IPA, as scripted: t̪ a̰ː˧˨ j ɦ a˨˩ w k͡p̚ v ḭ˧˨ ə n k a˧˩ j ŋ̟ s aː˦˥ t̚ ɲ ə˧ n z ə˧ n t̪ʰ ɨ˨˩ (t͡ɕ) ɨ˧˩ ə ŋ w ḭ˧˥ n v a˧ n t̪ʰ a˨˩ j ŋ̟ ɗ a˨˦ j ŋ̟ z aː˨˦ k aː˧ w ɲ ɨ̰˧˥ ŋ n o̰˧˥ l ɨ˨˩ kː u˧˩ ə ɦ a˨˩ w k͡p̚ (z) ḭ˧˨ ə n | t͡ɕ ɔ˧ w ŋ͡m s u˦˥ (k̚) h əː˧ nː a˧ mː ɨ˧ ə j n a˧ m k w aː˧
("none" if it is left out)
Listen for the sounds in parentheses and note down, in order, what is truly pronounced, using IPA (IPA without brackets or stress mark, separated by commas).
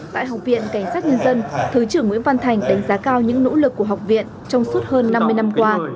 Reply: t͡ɕ, v, t̚